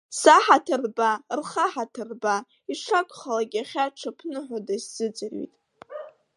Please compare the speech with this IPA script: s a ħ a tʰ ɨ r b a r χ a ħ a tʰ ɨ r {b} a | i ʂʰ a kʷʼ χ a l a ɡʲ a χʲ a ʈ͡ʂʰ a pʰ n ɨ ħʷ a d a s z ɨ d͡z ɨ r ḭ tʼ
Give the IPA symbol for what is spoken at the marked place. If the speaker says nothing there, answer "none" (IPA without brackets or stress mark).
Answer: b